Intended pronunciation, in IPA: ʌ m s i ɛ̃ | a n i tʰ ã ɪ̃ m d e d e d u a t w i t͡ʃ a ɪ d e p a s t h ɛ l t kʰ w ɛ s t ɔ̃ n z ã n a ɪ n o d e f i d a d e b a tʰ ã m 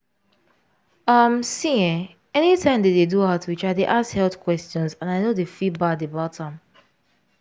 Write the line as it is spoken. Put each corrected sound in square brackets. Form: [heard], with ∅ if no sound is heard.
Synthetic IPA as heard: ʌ m s i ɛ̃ | [ɛ] n i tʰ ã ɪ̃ m d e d e d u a t w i t͡ʃ a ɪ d e [ʔ] a s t h ɛ l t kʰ w ɛ s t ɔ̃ n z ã n a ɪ n o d e f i [b] a d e b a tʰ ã m